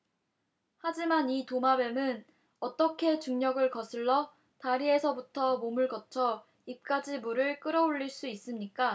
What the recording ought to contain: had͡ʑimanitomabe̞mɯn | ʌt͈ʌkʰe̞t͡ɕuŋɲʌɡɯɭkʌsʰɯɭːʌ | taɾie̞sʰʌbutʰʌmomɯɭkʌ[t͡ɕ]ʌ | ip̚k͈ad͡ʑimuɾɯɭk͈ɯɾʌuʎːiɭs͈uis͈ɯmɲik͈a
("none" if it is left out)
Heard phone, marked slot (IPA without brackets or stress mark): t͡ɕʰ